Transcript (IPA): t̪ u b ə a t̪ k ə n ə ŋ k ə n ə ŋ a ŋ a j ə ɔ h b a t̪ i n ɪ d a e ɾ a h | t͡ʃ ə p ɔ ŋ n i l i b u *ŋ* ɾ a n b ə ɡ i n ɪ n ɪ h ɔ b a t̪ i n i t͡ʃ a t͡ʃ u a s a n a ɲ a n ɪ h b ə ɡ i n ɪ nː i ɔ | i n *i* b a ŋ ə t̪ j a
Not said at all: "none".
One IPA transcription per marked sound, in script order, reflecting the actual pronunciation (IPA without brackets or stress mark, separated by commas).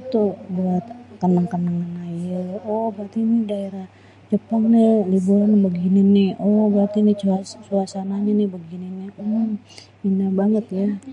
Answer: none, a